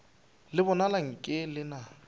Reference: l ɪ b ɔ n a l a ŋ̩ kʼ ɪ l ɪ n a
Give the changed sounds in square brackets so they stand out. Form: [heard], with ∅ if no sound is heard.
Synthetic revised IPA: l ɪ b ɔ n a l a ŋ̩ kʼ ɪ l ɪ n a